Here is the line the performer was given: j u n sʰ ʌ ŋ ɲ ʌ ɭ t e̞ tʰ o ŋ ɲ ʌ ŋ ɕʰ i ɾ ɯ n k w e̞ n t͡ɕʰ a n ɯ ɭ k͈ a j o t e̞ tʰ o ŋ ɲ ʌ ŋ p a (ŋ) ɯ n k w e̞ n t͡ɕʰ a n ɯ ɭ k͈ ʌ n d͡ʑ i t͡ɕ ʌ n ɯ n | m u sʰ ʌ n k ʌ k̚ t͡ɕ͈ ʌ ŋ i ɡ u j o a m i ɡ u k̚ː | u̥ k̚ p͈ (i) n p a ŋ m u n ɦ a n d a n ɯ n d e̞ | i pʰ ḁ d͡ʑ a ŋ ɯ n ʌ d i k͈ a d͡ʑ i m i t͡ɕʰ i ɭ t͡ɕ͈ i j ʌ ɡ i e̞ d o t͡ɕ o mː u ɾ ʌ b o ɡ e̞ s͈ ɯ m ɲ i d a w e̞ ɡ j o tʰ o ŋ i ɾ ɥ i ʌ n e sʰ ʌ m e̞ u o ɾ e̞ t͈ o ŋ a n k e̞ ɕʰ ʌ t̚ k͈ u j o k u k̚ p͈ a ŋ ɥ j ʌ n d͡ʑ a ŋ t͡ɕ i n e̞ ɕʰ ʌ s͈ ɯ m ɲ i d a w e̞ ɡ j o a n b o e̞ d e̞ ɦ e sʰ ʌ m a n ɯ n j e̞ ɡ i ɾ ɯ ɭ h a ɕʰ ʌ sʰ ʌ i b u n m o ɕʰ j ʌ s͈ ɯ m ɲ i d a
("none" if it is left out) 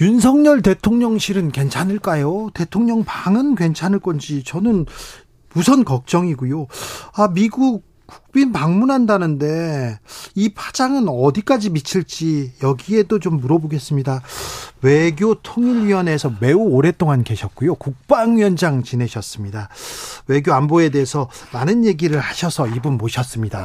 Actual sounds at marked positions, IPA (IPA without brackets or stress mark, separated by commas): ŋ, i